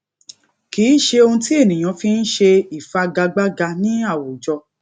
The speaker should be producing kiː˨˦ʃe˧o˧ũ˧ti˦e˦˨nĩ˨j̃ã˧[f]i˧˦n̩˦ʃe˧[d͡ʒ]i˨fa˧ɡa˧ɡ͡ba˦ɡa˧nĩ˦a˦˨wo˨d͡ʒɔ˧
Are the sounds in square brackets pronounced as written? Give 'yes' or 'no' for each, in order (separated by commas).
yes, no